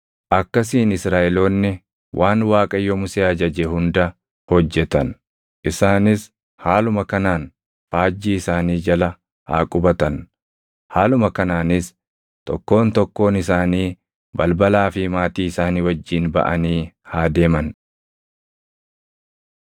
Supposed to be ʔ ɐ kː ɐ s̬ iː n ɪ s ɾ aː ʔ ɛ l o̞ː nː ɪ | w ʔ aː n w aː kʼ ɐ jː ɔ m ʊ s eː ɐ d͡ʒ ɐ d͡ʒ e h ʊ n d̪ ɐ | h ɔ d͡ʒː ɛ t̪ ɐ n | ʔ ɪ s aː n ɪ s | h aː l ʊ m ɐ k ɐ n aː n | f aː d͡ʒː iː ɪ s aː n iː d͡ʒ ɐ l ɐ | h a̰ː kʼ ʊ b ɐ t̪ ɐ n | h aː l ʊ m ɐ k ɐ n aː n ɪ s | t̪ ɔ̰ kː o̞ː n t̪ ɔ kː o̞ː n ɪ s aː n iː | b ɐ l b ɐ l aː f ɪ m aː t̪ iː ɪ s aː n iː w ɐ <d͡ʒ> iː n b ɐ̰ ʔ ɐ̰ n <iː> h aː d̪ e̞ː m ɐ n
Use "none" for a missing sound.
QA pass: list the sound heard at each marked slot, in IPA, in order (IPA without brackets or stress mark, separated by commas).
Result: d͡ʒː, iː